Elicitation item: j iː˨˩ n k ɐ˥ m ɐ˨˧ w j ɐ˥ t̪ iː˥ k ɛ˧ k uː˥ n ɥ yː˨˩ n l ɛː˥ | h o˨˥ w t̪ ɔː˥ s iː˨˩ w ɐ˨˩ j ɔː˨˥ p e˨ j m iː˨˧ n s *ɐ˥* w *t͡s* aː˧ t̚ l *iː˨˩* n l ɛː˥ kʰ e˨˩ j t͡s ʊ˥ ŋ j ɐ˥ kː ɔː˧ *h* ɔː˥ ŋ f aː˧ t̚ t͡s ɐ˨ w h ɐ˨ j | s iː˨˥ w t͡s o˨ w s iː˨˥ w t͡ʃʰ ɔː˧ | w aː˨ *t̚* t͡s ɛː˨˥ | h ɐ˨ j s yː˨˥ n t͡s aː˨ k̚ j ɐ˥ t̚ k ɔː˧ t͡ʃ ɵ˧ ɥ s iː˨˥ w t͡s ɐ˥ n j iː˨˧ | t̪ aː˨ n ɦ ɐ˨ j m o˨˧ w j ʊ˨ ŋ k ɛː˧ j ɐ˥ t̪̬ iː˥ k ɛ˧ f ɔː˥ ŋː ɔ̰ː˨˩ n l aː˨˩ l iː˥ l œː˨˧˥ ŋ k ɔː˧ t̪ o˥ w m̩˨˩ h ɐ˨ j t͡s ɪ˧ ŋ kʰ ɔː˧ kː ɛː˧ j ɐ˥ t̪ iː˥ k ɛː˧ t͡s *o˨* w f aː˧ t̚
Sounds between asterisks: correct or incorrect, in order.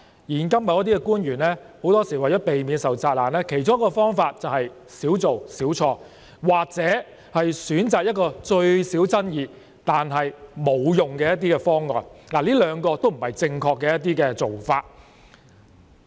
incorrect, correct, incorrect, incorrect, incorrect, correct

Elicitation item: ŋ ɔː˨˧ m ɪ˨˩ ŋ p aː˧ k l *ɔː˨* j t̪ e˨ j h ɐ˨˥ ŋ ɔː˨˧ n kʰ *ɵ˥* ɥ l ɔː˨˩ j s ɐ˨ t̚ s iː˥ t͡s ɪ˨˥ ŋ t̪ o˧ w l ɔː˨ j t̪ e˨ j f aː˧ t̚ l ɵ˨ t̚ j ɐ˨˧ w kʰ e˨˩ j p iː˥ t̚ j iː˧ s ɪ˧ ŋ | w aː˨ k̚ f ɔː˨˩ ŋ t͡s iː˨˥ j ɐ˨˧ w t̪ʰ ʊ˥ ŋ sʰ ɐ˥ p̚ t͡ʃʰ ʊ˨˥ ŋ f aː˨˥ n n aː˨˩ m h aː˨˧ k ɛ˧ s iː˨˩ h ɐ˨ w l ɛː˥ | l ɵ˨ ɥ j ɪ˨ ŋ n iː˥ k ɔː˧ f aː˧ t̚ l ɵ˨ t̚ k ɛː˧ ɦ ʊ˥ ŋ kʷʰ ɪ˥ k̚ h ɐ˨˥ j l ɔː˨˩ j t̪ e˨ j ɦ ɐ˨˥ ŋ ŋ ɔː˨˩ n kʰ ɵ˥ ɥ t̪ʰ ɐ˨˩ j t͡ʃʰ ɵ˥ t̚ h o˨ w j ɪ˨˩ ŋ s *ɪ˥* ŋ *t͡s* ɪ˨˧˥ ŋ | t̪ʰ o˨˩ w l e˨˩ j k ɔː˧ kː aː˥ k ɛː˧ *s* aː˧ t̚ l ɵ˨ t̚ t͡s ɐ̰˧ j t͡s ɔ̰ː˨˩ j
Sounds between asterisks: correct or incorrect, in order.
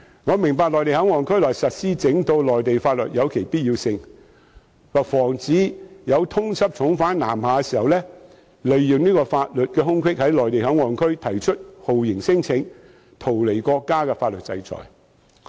correct, correct, correct, incorrect, incorrect

